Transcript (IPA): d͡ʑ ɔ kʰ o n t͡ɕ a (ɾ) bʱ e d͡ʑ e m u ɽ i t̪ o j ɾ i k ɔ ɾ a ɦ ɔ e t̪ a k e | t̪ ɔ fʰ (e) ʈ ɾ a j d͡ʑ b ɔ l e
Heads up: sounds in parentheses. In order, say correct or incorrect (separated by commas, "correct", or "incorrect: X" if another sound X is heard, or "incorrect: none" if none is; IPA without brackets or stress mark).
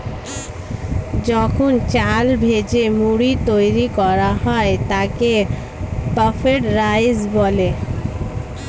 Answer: incorrect: l, correct